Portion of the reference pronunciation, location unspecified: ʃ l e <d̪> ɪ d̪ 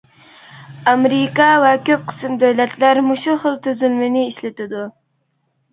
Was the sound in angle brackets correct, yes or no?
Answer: no